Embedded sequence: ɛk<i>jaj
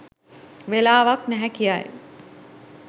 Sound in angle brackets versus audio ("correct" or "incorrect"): correct